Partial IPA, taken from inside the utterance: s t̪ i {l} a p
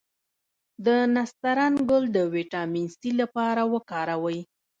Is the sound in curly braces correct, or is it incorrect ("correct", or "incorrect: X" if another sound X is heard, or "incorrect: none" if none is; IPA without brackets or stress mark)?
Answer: correct